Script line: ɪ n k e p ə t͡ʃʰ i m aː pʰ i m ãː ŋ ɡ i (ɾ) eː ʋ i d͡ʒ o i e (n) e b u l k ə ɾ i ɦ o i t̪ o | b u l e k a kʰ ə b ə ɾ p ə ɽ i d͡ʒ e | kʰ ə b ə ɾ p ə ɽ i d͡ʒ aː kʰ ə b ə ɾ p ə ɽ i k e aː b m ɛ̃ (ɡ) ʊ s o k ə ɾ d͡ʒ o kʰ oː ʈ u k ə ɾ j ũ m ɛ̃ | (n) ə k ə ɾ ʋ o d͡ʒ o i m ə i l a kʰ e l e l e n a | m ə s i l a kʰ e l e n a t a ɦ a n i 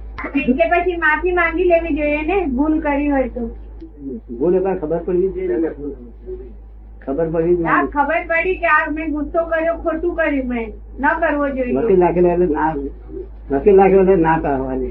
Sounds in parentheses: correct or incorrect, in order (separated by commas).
incorrect, correct, correct, correct